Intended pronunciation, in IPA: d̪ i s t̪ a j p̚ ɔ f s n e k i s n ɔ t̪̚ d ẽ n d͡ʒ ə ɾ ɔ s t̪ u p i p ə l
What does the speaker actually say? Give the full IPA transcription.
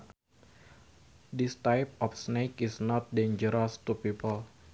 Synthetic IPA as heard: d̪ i s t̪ a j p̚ ɔ f s n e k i s n ɔ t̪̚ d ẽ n d͡ʒ ə ɾ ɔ s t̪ u p i p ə l